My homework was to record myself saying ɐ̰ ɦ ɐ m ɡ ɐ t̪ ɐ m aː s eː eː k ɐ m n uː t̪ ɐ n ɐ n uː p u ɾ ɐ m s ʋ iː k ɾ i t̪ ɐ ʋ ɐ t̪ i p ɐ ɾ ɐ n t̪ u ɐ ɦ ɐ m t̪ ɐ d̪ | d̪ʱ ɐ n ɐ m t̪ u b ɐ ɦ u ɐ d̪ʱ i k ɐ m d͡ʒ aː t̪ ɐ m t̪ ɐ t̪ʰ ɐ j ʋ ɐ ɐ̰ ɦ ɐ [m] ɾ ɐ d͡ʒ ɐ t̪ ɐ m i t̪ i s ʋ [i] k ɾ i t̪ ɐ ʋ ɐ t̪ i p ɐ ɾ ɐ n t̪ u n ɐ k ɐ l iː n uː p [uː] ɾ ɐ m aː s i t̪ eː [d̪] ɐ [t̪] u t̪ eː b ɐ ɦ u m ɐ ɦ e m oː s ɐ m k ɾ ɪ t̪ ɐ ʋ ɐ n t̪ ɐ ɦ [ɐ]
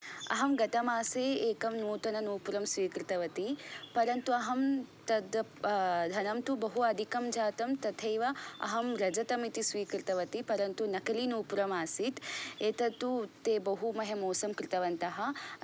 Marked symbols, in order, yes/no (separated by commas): yes, no, no, no, yes, yes